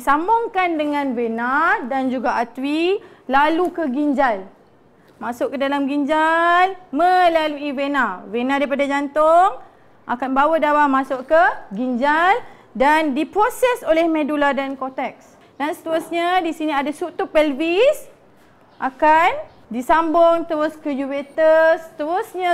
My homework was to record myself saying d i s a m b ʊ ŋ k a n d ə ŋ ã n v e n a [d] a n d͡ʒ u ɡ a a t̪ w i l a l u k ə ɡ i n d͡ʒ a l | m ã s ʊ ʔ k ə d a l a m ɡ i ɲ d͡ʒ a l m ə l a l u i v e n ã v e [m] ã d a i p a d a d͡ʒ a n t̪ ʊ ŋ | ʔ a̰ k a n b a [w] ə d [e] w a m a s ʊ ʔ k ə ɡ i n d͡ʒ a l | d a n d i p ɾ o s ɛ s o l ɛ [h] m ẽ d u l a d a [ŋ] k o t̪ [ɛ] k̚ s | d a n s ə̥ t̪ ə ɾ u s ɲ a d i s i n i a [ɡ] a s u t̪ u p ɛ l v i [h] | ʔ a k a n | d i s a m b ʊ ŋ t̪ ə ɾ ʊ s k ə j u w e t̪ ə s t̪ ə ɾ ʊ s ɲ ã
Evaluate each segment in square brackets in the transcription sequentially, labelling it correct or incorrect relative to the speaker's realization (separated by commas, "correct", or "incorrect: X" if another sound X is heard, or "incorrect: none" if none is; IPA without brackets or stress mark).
correct, incorrect: n, correct, incorrect: a, correct, incorrect: n, correct, incorrect: d, incorrect: s